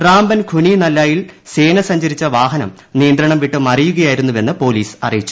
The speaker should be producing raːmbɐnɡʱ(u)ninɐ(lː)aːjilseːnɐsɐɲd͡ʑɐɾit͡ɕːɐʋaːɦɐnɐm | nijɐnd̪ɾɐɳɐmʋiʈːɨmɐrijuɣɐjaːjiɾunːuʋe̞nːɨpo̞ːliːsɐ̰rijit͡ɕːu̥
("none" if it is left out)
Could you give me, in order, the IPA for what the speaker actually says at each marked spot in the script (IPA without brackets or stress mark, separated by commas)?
u, lː